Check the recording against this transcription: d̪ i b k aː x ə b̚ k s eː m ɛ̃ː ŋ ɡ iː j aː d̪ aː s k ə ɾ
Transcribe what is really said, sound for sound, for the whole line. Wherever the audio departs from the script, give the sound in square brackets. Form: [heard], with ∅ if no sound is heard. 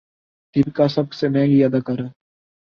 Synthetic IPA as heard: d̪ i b k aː [s] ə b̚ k s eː m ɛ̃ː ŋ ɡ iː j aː d̪ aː [∅] k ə ɾ